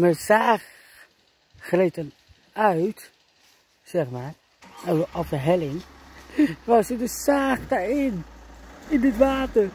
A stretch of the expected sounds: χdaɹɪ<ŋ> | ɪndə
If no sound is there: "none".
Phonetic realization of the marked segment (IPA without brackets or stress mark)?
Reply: n